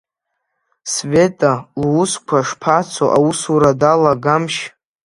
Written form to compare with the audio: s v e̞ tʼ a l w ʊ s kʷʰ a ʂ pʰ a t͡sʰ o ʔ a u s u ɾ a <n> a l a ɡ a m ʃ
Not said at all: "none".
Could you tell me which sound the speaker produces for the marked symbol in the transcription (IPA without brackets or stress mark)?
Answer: d